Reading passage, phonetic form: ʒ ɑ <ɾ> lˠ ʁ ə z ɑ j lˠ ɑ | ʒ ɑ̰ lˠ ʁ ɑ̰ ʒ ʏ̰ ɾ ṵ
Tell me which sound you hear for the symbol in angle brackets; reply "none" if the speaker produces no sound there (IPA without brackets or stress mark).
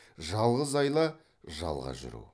none